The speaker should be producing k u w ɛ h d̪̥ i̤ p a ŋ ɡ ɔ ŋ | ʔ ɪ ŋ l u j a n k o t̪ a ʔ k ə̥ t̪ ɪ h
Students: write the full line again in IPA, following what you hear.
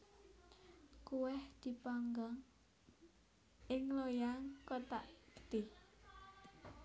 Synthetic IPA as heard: k u w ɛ h d̪̥ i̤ p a ŋ ɡ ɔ ŋ | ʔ ɪ ŋ l o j a ŋ k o t̪ a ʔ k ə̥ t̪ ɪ h